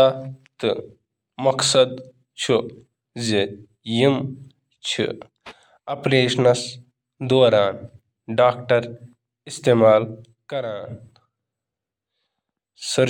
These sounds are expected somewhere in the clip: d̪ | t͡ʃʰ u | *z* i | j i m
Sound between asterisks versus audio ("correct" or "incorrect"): correct